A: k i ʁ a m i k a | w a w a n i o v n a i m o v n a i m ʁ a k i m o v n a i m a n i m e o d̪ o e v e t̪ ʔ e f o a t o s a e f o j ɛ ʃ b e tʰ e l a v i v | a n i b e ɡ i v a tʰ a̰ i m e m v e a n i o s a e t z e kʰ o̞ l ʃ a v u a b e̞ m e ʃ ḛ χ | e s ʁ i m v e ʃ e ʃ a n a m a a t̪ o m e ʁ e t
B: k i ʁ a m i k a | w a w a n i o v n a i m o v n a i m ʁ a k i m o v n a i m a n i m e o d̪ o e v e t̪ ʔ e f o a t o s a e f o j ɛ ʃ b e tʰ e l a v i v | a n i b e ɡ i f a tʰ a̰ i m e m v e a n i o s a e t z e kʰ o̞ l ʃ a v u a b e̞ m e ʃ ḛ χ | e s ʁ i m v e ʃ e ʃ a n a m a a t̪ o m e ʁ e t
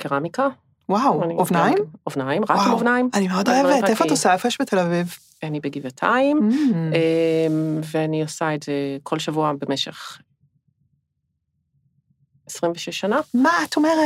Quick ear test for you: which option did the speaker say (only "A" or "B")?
A